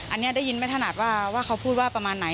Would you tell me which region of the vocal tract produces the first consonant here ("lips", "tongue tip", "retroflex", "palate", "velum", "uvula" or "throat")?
throat